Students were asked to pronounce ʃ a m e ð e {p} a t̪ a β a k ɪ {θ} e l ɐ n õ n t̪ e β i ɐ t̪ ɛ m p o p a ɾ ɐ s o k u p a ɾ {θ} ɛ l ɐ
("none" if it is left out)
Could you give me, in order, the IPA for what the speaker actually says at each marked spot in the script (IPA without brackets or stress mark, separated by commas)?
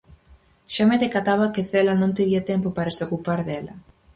k, θ, ð